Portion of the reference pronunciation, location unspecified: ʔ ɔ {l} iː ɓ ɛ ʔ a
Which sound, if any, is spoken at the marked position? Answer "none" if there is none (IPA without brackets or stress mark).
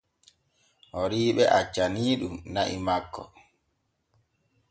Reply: ɾ